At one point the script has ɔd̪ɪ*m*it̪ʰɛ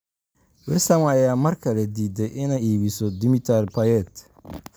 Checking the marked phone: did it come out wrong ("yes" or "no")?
no